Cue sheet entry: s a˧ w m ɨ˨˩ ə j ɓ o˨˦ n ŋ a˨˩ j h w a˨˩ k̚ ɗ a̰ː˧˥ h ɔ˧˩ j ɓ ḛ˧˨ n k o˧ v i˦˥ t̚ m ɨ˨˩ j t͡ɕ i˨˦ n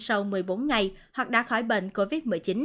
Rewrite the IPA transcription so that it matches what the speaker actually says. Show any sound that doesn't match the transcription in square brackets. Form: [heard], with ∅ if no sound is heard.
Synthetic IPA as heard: s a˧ w m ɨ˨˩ ə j ɓ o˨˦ n ŋ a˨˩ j h w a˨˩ k̚ ɗ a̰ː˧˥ [x] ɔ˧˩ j ɓ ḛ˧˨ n k o˧ v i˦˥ t̚ m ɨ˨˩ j t͡ɕ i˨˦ n